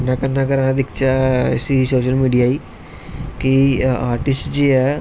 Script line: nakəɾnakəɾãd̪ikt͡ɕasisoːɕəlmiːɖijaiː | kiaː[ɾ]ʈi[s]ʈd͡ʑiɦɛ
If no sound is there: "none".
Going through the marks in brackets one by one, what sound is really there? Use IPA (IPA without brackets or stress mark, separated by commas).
ɾ, s